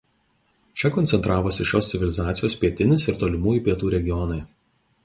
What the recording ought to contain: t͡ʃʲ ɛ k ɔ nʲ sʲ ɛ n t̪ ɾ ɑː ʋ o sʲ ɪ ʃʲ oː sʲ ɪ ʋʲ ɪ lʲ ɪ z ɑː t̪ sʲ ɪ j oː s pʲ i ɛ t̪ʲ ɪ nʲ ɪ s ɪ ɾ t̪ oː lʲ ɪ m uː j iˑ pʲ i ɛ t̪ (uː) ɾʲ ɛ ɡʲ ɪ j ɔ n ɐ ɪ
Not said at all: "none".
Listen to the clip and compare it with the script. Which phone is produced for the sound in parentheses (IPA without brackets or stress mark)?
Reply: uː